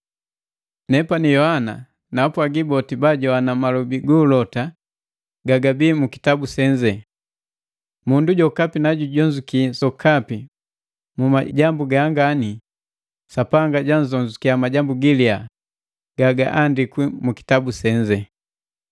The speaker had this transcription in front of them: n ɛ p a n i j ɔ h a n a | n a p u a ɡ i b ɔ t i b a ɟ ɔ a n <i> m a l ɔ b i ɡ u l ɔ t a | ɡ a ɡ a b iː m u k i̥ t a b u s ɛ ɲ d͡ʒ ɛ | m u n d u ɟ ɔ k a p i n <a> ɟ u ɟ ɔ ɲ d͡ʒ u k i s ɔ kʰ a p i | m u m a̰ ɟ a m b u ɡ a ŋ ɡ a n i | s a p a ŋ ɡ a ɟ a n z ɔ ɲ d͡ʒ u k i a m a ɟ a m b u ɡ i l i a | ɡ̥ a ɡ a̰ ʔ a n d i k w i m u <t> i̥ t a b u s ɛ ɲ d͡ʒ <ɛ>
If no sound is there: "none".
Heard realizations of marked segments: a, a, k, ɛ

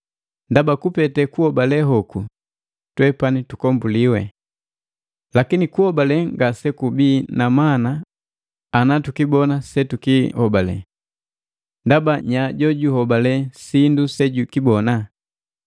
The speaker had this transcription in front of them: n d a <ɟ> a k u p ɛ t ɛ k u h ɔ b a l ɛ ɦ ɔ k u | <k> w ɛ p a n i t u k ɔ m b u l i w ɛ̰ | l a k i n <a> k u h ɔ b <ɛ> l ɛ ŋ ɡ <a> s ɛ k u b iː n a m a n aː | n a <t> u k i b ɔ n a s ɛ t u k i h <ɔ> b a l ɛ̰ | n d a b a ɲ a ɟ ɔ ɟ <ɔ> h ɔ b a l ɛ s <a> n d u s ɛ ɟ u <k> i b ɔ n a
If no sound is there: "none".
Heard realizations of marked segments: b, t, i, a, a, t, ɔ, u, i, k

